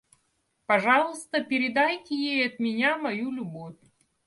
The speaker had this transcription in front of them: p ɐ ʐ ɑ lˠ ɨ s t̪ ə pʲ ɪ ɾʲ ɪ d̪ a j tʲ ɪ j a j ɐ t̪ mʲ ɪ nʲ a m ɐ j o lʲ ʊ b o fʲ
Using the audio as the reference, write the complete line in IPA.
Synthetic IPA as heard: p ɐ ʐ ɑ lˠ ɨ s t̪ ə pʲ ɪ ɾʲ ɪ d̪ a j tʲ ɪ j e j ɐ t̪ mʲ ɪ nʲ a m ɐ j u lʲ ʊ b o fʲ